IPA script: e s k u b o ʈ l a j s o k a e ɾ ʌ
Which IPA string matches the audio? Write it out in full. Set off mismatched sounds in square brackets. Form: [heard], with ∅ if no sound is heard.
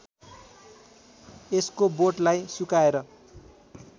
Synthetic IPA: e s k [o] b o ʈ l a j s [u] k a e ɾ ʌ